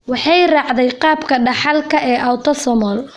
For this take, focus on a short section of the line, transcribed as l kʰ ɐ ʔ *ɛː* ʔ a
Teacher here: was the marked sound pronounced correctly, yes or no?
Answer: yes